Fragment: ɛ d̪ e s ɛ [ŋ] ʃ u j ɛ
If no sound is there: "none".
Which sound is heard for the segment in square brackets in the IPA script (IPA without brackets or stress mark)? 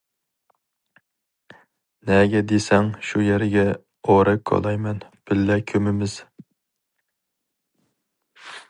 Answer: ŋ